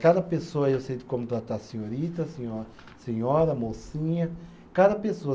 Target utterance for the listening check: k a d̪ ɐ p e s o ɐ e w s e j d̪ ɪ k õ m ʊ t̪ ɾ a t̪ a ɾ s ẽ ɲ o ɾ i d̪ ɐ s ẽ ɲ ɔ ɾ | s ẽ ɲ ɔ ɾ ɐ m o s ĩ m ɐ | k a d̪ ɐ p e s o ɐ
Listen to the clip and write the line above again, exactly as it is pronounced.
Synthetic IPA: k a d̪ ɐ p e s o ɐ e w s e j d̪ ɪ k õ m ʊ t̪ ɾ a t̪ a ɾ s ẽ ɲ o ɾ i t̪ ɐ s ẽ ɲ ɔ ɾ | s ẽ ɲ ɔ ɾ ɐ m o s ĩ ɲ ɐ | k a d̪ ɐ p e s o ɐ